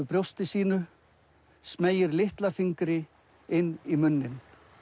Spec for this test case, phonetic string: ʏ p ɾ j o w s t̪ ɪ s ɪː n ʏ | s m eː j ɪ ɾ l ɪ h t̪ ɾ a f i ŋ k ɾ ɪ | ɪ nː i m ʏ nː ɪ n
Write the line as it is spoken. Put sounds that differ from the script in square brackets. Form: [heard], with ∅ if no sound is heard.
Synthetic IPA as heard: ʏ p ɾ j o w s t̪ ɪ s [iː] n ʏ | s m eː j ɪ ɾ l ɪ h t̪ [l] a f i ŋ k ɾ ɪ | ɪ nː i m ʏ nː ɪ n